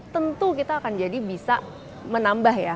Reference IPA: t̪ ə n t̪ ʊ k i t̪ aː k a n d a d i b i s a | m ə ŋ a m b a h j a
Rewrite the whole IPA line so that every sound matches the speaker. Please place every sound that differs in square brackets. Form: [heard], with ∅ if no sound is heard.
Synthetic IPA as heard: t̪ ə n t̪ [u] k i t̪ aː k a n [d͡ʒ] a d i b i s a | m ə [n] a m b a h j a